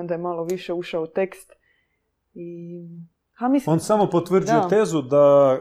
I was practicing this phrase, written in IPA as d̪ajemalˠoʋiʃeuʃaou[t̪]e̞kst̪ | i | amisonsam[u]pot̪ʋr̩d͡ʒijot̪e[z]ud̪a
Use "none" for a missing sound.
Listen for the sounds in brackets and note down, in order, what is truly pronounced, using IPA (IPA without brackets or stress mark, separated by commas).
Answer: t̪, o, z